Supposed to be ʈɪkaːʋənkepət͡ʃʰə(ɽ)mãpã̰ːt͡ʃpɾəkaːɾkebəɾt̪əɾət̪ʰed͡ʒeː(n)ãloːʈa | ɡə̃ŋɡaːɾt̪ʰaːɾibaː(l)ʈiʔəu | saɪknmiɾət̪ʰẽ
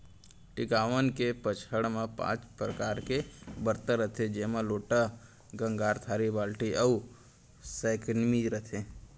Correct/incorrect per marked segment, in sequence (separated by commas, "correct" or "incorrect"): correct, incorrect, correct